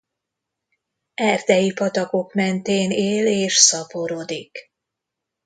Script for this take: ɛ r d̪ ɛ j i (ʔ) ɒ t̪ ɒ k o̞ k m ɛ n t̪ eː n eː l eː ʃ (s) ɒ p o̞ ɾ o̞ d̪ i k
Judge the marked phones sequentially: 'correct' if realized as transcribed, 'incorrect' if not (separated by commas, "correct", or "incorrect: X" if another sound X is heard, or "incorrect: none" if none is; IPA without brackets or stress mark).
incorrect: p, correct